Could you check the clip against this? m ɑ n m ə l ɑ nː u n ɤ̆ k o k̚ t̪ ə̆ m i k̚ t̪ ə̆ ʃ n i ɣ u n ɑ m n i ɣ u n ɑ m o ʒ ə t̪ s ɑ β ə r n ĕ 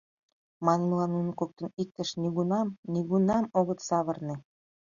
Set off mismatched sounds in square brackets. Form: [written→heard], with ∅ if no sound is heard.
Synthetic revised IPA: m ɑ n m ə l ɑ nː u n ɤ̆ k o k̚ t̪ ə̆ [m→n] i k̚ t̪ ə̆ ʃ n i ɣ u n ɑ m n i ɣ u n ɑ m o [ʒ→ɣ] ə t̪ s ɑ β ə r n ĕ